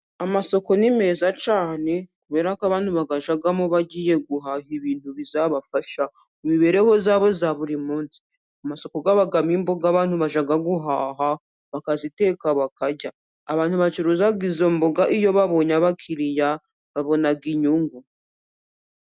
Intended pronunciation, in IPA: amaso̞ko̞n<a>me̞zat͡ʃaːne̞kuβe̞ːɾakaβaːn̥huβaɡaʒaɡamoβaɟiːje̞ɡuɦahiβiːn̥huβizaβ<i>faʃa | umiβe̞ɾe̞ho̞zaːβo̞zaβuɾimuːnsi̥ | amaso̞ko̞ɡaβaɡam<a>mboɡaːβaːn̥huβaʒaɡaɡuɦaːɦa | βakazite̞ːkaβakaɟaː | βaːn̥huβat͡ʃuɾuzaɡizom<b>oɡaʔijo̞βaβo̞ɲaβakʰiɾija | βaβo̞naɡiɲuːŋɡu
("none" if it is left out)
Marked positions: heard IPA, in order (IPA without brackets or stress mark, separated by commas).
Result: i, a, i, b